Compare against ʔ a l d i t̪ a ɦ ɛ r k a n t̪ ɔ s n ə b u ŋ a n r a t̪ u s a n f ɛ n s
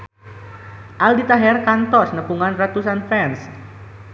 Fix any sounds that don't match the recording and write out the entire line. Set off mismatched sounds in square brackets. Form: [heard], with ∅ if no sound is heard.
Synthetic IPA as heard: ʔ a l d i t̪ a ɦ ɛ r k a n t̪ ɔ s n ə [p] u ŋ a n r a t̪ u s a n f ɛ n s